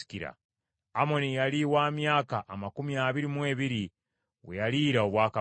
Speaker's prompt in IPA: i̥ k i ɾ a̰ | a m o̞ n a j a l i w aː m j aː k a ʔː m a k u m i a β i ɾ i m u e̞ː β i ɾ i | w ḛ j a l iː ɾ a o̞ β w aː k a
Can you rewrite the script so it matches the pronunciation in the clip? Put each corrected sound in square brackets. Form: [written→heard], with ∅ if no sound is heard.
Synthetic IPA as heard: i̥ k i ɾ a̰ | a m o̞ n [a→i] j a l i w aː m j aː k a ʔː m a k u m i a β i ɾ i m [u→w] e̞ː β i ɾ i | w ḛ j a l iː ɾ a o̞ β w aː k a